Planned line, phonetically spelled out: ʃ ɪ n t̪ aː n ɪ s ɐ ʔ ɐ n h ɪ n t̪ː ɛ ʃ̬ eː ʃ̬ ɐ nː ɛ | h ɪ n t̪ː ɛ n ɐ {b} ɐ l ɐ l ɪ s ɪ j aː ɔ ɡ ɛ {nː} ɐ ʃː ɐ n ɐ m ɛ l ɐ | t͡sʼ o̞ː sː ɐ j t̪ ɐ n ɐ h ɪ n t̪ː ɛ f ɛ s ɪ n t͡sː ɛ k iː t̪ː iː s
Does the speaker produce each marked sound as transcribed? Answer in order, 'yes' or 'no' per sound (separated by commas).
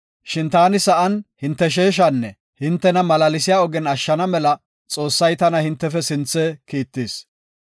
no, no